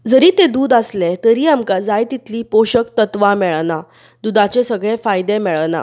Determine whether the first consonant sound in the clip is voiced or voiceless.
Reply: voiced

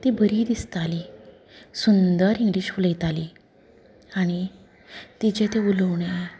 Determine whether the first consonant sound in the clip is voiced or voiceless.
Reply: voiceless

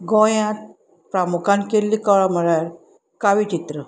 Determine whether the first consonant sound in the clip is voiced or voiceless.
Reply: voiced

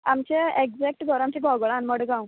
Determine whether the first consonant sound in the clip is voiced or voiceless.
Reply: voiced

